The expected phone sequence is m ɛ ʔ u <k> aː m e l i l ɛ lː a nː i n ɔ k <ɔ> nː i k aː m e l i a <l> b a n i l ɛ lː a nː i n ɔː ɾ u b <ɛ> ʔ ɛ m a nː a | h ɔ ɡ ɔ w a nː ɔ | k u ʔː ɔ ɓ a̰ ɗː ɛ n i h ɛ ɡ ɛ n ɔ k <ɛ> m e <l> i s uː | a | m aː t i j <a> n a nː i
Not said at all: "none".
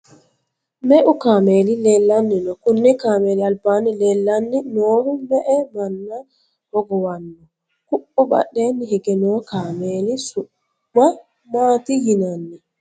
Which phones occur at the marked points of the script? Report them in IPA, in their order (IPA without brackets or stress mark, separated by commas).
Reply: k, u, l, ɛ, a, l, i